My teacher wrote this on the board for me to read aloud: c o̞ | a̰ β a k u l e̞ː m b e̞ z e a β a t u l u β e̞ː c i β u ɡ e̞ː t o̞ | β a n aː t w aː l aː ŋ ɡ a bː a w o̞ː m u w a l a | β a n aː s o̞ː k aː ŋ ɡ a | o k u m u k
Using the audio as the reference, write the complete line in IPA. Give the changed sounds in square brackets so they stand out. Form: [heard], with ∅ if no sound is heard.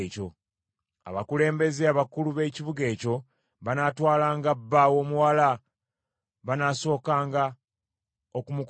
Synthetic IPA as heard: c o̞ | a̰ β a k u l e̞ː m b e̞ z e a β a [k] u l u β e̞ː c i β u ɡ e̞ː [c] o̞ | β a n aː t w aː l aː ŋ ɡ a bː a w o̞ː m u w a l a | β a n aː s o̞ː k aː ŋ ɡ a | o k u m u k